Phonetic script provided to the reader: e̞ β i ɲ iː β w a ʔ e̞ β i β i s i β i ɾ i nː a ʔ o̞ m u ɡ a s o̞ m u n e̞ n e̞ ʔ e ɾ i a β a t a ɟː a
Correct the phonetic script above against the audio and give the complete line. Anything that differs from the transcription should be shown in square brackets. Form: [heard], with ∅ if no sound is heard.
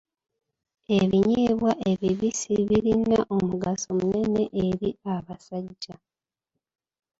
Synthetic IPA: e̞ β i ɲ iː β w a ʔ e̞ β i β i s i β i ɾ i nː a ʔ o̞ m u ɡ a s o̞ m u n e̞ n e̞ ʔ e ɾ i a β a [s] a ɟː a